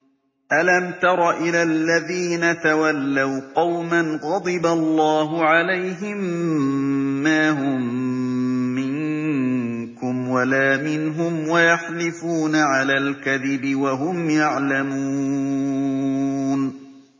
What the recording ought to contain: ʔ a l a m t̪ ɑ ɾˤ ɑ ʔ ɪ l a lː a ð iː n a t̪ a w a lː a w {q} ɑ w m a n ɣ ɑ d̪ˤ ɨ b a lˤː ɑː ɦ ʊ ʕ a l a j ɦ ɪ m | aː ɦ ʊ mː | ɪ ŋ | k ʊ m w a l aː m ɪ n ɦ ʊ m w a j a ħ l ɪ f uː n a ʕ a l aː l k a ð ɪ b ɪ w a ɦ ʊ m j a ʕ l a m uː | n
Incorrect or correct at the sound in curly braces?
correct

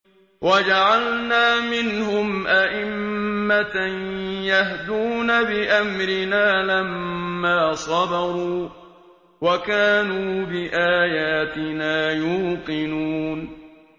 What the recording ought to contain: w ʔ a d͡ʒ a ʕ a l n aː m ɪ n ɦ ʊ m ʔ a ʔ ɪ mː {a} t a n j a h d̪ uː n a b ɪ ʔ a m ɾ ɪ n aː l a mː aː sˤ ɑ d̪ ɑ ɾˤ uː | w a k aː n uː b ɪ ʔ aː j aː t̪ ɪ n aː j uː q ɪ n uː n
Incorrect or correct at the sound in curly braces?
correct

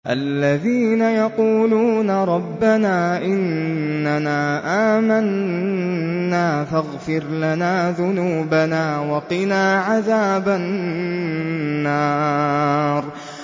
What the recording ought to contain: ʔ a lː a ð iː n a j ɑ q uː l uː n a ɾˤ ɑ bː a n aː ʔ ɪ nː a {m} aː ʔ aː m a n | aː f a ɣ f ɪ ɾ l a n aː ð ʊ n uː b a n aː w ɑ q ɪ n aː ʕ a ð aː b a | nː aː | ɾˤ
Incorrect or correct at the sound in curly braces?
incorrect: n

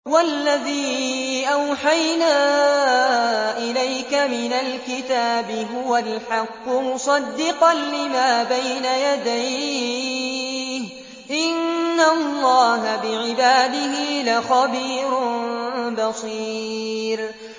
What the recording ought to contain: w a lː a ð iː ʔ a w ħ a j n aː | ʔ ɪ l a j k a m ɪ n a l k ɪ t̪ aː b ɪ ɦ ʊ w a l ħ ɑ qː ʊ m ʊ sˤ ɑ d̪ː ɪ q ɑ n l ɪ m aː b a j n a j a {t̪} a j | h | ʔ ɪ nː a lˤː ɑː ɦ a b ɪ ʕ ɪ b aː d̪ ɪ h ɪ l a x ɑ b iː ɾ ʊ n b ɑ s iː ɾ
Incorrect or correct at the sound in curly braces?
incorrect: d̪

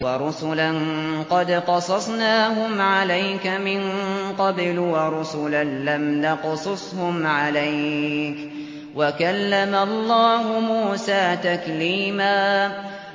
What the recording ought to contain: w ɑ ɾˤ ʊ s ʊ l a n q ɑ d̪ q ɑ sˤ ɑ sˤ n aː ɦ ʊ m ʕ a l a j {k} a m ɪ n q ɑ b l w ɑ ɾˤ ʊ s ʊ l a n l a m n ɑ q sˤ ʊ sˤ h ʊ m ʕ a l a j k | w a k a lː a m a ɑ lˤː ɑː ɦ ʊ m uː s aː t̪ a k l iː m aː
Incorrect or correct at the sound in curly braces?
correct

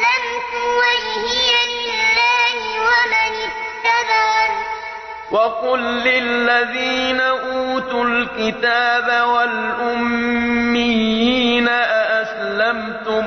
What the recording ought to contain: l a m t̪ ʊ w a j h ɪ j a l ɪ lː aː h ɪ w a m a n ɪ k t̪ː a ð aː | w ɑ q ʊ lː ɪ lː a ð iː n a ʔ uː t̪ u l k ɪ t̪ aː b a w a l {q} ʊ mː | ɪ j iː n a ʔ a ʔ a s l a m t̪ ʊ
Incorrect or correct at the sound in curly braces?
incorrect: ʔ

